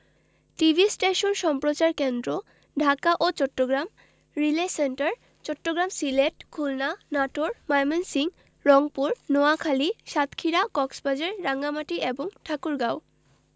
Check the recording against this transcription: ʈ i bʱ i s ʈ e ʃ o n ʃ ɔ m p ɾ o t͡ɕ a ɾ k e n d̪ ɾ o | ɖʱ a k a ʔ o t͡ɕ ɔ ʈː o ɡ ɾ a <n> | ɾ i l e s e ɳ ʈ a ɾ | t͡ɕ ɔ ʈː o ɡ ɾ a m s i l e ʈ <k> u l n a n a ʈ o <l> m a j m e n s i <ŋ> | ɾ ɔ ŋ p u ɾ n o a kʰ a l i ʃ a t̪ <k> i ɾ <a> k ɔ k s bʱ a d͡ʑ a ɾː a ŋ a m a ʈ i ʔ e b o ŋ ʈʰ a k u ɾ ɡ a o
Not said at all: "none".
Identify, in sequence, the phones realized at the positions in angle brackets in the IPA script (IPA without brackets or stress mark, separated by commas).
m, kʰ, ɾ, ŋ, kʰ, a